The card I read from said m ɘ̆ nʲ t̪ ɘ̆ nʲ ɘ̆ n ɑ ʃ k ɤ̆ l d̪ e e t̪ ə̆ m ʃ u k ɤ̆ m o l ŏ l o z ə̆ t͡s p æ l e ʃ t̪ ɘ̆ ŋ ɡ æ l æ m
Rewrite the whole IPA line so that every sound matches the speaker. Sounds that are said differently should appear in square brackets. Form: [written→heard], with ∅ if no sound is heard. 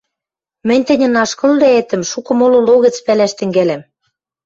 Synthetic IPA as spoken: m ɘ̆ nʲ t̪ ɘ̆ nʲ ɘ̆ n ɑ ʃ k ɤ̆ l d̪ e e t̪ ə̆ m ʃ u k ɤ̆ m o l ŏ l o [z→ɣ] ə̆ t͡s p æ l [e→æ] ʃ t̪ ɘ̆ ŋ ɡ æ l æ m